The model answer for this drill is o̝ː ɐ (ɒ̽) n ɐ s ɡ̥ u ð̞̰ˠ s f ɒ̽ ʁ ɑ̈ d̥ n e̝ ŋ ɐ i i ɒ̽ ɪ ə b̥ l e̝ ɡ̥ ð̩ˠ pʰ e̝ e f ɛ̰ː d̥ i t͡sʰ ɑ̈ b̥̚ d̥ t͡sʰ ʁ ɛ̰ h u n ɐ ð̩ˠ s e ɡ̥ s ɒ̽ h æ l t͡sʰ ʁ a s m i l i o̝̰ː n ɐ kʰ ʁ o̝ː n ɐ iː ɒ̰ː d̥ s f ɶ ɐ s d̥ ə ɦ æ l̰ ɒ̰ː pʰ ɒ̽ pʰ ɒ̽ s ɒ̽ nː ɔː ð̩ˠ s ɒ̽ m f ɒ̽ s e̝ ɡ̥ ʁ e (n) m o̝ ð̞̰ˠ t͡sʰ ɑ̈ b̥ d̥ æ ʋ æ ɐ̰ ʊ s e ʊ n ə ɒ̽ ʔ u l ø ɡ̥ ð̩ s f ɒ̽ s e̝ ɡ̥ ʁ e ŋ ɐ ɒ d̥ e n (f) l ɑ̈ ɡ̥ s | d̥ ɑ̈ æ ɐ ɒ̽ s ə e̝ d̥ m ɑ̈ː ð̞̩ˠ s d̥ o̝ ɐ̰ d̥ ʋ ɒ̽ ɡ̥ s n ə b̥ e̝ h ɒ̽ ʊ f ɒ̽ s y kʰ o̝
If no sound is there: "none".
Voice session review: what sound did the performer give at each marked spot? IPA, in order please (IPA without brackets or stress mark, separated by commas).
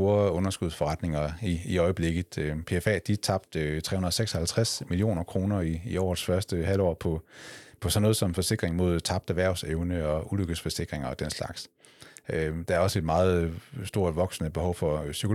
ɔ̽, ŋ, s